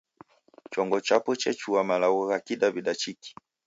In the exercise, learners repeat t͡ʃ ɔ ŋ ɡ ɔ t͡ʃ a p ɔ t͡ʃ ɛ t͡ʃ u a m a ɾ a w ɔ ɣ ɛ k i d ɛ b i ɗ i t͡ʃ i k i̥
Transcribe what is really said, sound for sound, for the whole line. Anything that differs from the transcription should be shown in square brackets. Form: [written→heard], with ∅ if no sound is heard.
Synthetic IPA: t͡ʃ ɔ ŋ ɡ ɔ t͡ʃ a p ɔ t͡ʃ ɛ t͡ʃ u a m a [ɾ→l] a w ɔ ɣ [ɛ→a] k i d [ɛ→a] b i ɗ [i→a] t͡ʃ i k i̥